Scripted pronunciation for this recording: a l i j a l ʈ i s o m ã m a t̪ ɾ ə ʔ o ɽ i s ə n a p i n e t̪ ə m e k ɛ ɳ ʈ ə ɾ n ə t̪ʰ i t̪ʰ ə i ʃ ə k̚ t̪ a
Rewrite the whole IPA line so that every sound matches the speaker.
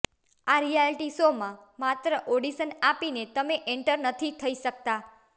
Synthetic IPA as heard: a ɾ i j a l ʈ i s o m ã m a t̪ ɾ ə ʔ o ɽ i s ə n a p i n e t̪ ə m e ʔ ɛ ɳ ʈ ə ɾ n ə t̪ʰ i t̪ʰ ə i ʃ ə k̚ t̪ a

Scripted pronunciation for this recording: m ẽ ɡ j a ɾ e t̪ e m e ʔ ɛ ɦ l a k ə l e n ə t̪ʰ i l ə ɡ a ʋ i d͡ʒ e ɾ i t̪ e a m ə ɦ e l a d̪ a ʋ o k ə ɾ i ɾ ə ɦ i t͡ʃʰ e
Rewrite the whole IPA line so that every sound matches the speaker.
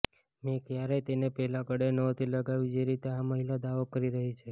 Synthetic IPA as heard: m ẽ k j a ɾ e t̪ e n e p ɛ ɦ l a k ə ɽ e n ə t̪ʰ i l ə ɡ a ʋ i d͡ʒ e ɾ i t̪ e a m ə ɦ i l a d̪ a ʋ o k ə ɾ i ɾ ə ɦ i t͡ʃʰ e

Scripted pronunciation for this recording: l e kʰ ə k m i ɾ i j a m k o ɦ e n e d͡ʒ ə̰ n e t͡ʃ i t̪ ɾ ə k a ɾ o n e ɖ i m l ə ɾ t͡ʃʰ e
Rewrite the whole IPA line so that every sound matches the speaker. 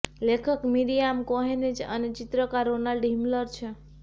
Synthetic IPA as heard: l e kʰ ə k m i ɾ i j a m k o ɦ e n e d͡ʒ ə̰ n e t͡ʃ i t̪ ɾ ə k a ɾ o n a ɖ i m l ə ɾ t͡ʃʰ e

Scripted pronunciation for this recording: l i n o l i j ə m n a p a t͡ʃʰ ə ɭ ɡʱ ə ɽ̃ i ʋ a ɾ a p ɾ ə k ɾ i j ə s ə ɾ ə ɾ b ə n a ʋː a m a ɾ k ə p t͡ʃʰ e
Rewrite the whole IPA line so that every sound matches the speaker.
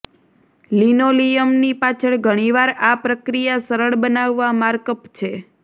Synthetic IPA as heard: l i n o l i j ə m n i p a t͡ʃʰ ə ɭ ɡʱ ə ɽ̃ i ʋ a ɾ a p ɾ ə k ɾ i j a s ə ɾ ə ɭ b ə n a ʋː a m a ɾ k ə p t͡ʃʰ e

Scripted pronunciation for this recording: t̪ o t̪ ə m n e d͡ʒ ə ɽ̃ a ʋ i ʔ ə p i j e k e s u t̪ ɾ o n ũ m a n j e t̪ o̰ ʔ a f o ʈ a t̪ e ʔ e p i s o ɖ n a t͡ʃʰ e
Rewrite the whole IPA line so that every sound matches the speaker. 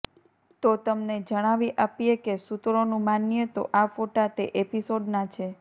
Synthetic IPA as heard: t̪ o t̪ ə m n e d͡ʒ ə ɽ̃ a ʋ i ʔ a p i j e k e s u t̪ ɾ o n ũ m a n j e t̪ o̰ ʔ a f o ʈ a t̪ e ʔ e p i s o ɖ n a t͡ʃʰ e

